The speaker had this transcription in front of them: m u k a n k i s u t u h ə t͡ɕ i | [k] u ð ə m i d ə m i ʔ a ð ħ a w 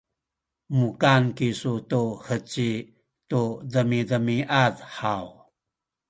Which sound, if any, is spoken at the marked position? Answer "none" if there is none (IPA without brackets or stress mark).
t